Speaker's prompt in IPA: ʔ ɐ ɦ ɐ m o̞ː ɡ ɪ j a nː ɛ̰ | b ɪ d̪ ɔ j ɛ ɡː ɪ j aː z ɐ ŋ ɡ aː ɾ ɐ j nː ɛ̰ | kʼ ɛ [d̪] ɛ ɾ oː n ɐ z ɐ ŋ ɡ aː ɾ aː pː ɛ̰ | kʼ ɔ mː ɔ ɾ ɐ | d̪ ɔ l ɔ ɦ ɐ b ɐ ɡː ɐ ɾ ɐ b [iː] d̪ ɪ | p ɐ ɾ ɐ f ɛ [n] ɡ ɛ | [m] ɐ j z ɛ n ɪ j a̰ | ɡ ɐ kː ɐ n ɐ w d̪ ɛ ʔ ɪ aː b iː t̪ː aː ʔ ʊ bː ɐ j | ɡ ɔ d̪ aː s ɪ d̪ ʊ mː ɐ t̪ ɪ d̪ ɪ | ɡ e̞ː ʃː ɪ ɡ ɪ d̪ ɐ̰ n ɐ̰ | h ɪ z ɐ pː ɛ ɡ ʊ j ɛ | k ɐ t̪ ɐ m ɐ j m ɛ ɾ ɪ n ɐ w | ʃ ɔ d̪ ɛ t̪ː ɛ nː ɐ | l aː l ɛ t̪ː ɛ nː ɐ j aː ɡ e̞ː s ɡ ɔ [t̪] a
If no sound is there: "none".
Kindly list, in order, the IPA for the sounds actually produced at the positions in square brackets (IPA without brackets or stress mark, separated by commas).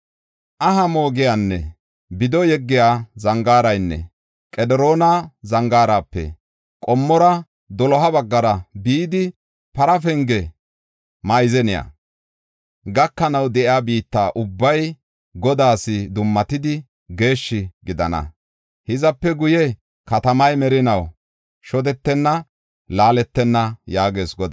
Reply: d̪, iː, ŋ, m, d̪